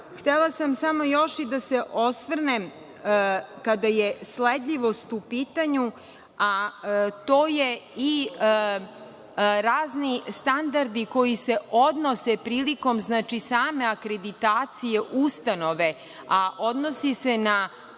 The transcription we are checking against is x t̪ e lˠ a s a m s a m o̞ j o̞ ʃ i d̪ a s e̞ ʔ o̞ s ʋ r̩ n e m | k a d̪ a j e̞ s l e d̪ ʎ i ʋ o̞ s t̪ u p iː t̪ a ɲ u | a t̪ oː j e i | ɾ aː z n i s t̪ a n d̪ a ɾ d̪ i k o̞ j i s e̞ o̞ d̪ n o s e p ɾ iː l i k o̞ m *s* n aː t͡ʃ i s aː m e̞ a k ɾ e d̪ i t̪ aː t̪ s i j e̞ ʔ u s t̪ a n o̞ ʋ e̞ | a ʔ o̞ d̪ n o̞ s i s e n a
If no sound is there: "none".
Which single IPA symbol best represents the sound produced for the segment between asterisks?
z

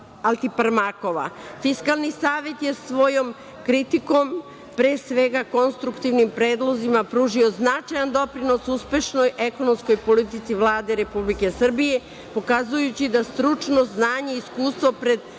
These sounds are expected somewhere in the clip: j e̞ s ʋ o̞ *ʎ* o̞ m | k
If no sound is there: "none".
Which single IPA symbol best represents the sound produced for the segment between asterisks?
j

